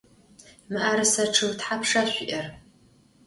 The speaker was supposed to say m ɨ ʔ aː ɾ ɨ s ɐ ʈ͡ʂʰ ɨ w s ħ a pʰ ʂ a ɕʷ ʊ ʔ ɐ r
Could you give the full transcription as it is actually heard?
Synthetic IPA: m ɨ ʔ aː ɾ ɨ s ɐ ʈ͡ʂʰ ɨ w t ħ a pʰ ʂ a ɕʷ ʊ ʔ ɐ r